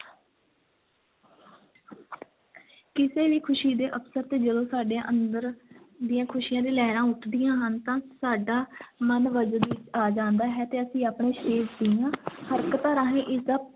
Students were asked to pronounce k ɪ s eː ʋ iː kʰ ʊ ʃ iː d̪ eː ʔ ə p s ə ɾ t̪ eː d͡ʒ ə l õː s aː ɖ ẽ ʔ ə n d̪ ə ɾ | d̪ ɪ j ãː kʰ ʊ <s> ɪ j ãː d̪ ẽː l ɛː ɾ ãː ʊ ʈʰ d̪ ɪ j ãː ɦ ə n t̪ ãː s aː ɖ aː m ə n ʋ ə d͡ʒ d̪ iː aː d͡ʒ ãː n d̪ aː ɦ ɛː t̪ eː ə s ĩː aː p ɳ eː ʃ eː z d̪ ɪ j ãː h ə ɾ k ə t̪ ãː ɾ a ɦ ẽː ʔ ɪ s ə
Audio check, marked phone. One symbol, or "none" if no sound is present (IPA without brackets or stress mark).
ʃ